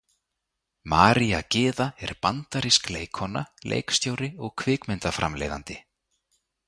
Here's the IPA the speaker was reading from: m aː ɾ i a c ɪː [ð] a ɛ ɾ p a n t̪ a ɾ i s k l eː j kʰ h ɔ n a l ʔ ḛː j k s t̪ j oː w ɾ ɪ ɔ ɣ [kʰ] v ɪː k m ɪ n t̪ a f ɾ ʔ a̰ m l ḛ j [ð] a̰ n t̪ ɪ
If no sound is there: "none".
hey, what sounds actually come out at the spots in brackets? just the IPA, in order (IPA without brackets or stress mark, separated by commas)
ð, kʰ, ð